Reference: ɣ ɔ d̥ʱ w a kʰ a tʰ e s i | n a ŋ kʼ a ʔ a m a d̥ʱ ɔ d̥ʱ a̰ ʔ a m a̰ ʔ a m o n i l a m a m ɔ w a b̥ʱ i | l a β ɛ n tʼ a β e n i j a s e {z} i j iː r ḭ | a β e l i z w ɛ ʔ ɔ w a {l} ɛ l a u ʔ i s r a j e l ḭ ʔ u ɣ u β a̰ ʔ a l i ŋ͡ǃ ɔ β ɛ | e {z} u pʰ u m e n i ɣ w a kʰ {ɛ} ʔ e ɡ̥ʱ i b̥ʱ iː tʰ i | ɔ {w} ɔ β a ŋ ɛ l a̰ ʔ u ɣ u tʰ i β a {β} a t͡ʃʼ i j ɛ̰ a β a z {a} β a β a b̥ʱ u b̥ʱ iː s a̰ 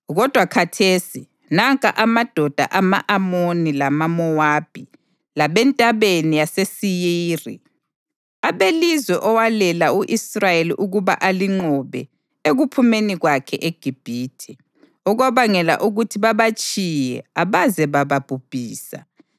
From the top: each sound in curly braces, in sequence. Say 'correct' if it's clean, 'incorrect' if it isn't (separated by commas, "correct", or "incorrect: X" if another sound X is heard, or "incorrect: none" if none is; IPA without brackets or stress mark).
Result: incorrect: s, correct, incorrect: ɣ, correct, incorrect: ɣ, correct, incorrect: ɛ